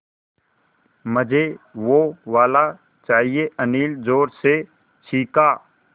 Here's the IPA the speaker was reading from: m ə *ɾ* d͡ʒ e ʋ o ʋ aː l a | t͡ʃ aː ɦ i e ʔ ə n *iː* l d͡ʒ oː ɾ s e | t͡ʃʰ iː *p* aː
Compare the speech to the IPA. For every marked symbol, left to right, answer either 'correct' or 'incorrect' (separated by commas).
incorrect, correct, incorrect